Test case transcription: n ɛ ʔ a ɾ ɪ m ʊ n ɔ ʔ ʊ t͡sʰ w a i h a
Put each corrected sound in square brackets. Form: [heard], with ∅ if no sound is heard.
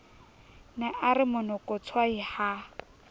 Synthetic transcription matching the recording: n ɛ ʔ a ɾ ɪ m ʊ n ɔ [k] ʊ t͡sʰ w a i h a